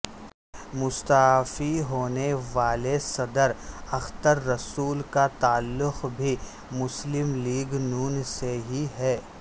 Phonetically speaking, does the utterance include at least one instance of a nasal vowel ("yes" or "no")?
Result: no